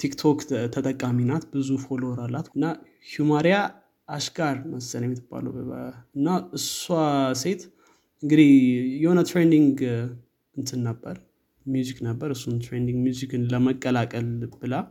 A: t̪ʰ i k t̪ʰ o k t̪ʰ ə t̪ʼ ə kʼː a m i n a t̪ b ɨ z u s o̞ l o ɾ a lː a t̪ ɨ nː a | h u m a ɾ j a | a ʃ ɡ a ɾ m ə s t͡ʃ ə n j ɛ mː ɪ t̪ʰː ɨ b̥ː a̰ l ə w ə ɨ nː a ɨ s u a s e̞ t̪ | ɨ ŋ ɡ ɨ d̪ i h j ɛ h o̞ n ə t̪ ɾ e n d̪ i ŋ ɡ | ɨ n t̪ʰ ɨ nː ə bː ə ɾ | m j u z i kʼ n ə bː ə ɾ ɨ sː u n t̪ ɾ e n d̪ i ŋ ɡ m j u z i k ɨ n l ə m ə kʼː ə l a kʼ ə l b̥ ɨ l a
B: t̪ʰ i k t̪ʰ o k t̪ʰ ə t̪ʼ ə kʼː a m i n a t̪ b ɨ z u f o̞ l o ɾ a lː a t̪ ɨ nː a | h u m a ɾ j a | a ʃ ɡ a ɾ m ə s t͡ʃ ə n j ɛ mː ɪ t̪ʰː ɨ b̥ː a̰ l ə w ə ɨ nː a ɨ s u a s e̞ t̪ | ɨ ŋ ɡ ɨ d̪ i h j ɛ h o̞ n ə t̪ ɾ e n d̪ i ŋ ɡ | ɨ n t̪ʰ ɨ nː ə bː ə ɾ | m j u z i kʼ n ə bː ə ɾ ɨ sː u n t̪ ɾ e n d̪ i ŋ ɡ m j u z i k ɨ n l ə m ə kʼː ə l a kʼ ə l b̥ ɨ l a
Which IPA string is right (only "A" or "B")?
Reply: B